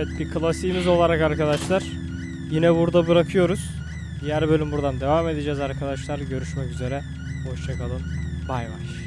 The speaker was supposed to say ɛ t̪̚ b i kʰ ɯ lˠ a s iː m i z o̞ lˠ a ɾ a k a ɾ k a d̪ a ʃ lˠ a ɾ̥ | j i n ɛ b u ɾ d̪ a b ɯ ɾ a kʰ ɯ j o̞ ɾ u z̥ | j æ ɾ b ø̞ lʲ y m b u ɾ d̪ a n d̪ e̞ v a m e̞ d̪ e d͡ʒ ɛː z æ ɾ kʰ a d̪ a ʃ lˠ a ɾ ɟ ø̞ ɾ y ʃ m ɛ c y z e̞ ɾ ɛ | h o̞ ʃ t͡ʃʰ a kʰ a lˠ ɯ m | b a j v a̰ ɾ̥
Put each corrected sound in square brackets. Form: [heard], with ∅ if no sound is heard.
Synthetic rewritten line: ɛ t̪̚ b i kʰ ɯ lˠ a s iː m i z o̞ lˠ a ɾ a k a ɾ k a d̪ a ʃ lˠ a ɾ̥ | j i n ɛ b u ɾ d̪ a b ɯ ɾ a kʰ ɯ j o̞ ɾ u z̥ | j æ ɾ b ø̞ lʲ y m b u ɾ d̪ a n d̪ e̞ v a m e̞ d̪ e d͡ʒ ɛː z [a] ɾ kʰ a d̪ a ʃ lˠ a ɾ ɟ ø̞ ɾ y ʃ m ɛ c y z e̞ ɾ ɛ | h o̞ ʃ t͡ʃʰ a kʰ a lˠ ɯ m | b a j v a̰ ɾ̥